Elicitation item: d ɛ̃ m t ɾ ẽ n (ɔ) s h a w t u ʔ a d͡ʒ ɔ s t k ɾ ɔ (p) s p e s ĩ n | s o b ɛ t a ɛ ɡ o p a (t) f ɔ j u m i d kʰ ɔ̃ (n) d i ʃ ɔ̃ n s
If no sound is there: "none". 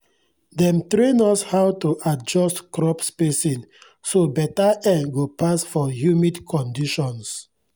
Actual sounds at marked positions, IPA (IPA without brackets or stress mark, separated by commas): ɔ, p, s, n